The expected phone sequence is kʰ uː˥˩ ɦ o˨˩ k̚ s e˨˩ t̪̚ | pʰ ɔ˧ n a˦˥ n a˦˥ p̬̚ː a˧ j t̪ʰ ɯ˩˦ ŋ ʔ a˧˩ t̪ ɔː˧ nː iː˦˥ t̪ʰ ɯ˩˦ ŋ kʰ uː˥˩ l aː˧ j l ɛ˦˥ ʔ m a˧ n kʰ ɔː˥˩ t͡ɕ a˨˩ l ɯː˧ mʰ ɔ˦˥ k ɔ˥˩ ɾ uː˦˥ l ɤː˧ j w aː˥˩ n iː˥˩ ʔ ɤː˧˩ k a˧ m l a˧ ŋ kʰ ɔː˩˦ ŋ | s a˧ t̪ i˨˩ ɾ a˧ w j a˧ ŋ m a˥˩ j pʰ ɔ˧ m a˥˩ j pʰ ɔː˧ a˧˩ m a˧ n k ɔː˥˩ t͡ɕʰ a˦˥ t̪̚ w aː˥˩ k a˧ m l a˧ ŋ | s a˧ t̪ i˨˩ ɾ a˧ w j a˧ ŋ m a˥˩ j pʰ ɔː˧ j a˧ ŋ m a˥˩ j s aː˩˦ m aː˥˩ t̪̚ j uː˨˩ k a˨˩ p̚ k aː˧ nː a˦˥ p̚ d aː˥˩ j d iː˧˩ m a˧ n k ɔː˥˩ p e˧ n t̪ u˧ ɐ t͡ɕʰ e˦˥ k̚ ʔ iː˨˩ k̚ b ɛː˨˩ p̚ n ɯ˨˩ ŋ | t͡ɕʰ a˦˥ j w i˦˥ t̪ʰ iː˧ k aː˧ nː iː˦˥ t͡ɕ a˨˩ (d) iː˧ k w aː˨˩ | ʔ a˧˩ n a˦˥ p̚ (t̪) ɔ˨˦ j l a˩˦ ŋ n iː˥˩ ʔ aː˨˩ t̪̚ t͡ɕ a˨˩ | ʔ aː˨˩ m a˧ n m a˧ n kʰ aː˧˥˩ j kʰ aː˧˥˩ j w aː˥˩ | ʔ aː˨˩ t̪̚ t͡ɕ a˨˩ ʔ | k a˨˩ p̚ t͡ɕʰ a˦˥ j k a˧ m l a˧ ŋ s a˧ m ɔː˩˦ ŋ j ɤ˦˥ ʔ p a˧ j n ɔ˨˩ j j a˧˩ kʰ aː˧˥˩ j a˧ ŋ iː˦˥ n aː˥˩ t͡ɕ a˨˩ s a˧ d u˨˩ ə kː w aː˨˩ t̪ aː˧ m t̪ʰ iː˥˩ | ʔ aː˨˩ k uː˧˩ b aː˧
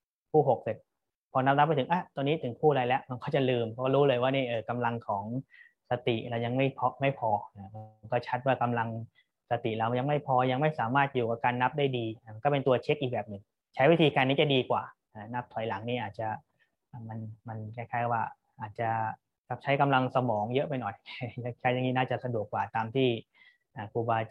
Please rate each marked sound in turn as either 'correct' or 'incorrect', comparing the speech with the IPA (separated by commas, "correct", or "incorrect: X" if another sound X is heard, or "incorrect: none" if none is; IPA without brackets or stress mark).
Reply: correct, incorrect: t̪ʰ